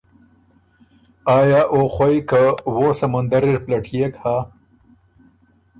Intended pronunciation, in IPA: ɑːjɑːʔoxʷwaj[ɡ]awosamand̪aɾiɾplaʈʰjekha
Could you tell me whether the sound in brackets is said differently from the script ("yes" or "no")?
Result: yes